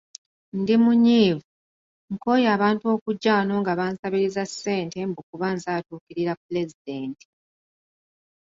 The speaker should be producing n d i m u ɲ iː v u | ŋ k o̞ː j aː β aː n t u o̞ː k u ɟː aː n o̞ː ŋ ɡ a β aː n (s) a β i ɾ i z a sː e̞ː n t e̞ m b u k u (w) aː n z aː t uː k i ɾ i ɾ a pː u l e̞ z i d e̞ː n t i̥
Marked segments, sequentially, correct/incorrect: correct, incorrect

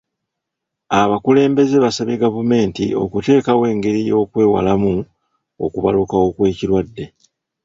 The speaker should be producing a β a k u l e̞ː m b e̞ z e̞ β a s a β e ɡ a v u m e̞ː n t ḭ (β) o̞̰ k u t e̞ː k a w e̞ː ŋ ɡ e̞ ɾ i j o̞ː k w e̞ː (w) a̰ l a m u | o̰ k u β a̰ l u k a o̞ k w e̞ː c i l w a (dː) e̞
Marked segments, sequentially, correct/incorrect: incorrect, correct, correct

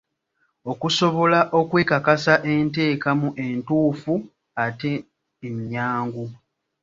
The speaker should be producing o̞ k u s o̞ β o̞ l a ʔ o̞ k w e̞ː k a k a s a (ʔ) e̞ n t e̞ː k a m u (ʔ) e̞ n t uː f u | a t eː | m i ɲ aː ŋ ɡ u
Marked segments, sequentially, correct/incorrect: correct, correct

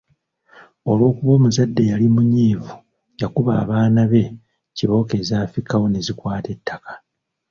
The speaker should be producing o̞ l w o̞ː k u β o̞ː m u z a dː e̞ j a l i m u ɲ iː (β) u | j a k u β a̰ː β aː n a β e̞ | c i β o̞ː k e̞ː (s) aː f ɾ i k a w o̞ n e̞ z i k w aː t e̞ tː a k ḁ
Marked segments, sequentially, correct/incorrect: incorrect, incorrect

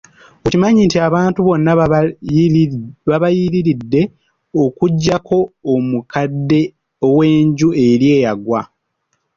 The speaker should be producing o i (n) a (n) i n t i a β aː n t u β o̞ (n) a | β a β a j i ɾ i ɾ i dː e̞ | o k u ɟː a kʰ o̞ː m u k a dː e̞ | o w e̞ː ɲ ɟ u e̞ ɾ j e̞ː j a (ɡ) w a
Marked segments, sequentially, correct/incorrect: incorrect, incorrect, incorrect, correct

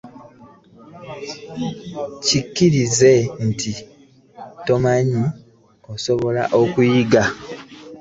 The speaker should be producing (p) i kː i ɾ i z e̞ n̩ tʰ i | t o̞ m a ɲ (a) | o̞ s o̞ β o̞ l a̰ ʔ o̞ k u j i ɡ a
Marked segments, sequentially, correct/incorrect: incorrect, incorrect

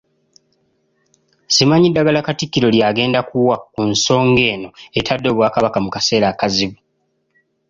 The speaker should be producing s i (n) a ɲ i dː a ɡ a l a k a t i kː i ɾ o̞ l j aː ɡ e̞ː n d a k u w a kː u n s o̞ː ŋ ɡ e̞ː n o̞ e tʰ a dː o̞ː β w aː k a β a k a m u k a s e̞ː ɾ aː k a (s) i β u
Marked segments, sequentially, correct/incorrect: incorrect, incorrect

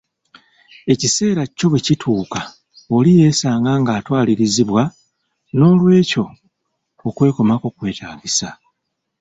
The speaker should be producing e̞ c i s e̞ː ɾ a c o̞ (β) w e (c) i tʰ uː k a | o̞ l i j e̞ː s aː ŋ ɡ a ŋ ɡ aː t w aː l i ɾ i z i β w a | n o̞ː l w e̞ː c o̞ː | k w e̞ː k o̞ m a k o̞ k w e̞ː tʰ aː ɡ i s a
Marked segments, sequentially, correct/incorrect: correct, correct

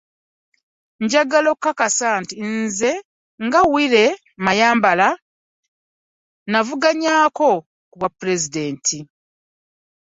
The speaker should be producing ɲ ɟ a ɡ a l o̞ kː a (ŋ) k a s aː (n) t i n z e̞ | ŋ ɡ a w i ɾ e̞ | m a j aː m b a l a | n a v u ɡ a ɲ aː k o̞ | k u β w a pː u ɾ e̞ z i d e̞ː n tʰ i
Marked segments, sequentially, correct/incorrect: incorrect, correct

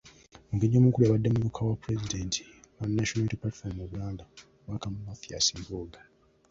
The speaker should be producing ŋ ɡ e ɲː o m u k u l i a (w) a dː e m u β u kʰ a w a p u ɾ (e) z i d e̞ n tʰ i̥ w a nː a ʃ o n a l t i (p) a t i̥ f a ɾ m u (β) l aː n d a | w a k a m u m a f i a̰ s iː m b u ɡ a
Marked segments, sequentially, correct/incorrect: incorrect, correct, correct, correct

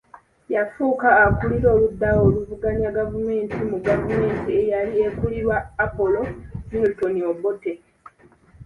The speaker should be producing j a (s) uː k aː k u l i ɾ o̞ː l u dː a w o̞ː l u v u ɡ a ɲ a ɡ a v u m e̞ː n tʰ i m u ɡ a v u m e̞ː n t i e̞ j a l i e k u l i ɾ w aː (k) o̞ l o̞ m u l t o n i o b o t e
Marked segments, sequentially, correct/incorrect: incorrect, incorrect

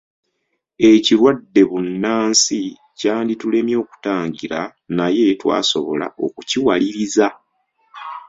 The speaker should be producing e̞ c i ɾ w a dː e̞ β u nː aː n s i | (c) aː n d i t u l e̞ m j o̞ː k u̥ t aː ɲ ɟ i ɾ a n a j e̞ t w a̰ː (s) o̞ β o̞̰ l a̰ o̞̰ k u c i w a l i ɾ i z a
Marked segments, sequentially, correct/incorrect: correct, correct

